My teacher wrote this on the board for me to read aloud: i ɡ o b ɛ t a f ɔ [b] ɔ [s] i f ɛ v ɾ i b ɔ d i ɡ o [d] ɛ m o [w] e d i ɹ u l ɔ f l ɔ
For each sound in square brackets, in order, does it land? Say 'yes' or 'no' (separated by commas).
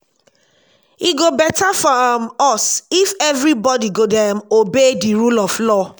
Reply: no, yes, yes, no